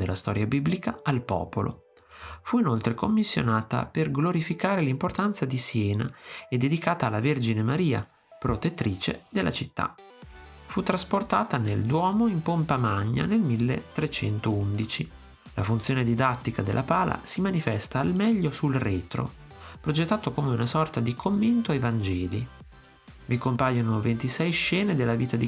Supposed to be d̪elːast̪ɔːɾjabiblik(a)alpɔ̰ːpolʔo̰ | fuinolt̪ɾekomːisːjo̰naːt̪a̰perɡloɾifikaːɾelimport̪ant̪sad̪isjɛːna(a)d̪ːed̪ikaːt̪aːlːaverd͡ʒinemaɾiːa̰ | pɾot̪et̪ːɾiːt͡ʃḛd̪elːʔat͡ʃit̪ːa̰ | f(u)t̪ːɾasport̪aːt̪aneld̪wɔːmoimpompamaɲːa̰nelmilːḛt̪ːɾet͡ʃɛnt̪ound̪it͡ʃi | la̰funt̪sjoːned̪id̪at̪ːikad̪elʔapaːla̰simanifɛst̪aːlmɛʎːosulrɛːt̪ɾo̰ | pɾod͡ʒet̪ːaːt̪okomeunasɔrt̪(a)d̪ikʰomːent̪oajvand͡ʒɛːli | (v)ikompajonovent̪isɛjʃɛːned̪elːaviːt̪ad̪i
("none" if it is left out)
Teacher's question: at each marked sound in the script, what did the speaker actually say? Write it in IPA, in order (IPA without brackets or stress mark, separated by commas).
a, e, u, a, v